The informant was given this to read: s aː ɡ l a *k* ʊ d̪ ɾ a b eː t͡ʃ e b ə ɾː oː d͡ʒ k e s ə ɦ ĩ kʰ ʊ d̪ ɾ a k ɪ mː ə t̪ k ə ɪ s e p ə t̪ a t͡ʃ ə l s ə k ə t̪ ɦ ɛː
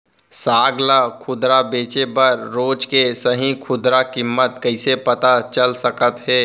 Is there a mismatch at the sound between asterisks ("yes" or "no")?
yes